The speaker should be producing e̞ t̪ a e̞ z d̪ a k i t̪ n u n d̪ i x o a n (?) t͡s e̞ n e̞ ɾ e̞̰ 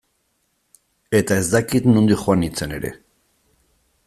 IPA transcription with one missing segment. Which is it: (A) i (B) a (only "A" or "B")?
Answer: A